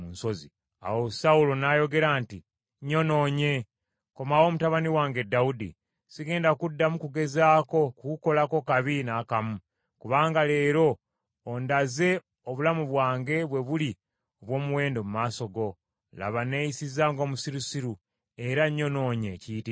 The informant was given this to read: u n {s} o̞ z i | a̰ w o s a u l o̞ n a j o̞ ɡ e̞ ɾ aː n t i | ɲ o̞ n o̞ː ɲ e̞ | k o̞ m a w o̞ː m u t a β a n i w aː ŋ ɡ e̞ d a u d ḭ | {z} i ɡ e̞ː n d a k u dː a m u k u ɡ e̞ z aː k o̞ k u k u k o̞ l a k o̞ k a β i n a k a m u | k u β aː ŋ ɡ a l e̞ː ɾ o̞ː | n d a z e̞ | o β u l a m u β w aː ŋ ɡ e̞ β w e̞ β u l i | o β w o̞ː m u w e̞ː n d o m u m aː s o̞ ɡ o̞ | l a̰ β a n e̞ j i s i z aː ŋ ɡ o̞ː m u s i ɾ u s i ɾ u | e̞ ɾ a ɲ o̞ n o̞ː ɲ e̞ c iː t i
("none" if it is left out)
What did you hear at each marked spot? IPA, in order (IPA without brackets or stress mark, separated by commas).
s, s